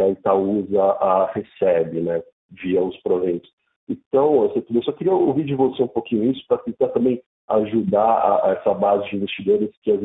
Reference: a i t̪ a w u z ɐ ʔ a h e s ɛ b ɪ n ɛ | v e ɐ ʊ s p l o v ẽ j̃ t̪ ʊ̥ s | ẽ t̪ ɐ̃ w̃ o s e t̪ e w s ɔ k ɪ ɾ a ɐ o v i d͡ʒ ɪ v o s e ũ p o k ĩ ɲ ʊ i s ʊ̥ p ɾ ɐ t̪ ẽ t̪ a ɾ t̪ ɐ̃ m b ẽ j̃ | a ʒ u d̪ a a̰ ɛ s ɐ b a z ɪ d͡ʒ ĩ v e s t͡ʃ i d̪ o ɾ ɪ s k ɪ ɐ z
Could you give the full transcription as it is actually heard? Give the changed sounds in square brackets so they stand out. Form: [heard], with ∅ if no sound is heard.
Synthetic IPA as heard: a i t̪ a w u z ɐ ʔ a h e s ɛ b ɪ n ɛ | v [i] ɐ ʊ s p [ɾ] o v ẽ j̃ t̪ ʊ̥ s | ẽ t̪ ɐ̃ w̃ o s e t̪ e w s ɔ k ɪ ɾ [i] ɐ o v i d͡ʒ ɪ v o s e ũ p o k ĩ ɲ ʊ i s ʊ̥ p ɾ ɐ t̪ ẽ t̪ a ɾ t̪ ɐ̃ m b ẽ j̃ | a ʒ u d̪ a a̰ ɛ s ɐ b a z ɪ d͡ʒ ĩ v e s t͡ʃ i d̪ o ɾ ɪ s k ɪ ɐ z